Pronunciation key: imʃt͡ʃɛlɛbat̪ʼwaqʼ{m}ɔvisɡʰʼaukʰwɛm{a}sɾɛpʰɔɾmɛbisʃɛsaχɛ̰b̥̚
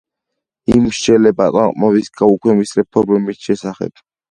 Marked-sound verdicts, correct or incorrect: correct, incorrect

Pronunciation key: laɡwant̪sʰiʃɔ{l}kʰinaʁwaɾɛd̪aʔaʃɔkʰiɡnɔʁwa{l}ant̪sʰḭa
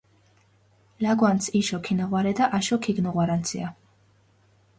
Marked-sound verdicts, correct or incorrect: incorrect, incorrect

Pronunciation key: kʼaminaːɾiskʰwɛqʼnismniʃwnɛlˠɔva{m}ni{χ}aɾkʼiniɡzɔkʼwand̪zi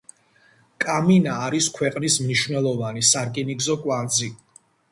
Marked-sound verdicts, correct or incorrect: incorrect, incorrect

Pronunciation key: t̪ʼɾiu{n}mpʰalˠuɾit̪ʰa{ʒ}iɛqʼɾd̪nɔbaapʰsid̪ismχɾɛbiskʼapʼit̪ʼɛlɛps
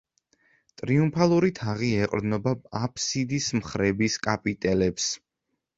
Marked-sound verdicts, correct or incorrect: incorrect, incorrect

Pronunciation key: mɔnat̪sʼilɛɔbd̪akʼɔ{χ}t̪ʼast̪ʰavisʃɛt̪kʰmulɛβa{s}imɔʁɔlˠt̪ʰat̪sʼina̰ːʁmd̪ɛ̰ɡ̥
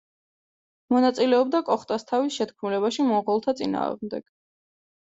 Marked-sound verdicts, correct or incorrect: correct, incorrect

